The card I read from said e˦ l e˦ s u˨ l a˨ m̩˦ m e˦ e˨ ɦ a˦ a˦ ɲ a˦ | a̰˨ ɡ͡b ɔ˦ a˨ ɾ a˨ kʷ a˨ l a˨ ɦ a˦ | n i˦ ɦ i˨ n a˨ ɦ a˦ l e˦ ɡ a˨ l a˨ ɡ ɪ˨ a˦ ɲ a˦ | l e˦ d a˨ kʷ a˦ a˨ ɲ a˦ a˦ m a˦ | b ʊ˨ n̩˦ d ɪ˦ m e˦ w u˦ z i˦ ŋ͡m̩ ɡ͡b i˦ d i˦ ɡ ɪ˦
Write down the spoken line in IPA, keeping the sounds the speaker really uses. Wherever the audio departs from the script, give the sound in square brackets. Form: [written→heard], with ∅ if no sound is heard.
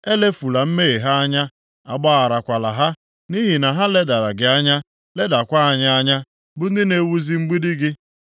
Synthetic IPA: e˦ l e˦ [s→f] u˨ l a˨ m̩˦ m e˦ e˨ ɦ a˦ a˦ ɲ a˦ | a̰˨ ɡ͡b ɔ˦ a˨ ɾ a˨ kʷ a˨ l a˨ ɦ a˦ | n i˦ ɦ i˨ n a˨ ɦ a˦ l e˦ [ɡ→d] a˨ [l→ɾ] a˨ ɡ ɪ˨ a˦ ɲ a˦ | l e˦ d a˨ kʷ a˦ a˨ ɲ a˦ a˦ [m→ɲ] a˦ | b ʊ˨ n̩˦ d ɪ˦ [m→n] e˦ w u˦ z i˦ ŋ͡m̩ ɡ͡b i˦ d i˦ ɡ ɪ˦